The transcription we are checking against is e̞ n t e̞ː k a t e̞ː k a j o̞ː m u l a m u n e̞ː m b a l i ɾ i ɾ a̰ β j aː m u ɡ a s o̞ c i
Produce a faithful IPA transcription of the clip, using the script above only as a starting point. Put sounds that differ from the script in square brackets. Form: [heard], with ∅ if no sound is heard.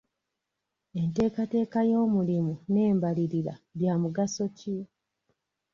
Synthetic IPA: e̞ n t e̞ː k a t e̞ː k a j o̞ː m u l [i] m u n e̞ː m b a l i ɾ i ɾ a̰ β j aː m u ɡ a s o̞ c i